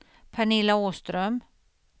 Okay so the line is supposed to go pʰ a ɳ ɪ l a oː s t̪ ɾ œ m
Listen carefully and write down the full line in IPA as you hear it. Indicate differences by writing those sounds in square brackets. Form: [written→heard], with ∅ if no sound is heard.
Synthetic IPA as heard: pʰ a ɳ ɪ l a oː s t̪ ɾ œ m